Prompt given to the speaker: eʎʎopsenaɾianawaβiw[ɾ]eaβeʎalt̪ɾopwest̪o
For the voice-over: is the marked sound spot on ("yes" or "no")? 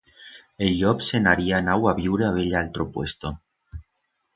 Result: yes